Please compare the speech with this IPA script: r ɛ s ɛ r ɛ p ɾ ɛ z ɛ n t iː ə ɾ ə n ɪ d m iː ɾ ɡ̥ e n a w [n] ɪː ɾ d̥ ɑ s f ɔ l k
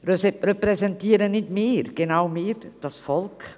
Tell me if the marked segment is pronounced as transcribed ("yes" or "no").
no